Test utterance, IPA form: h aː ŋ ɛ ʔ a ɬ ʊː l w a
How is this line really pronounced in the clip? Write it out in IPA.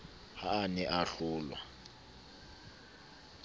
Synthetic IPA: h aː n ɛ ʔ a ɬ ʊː l w a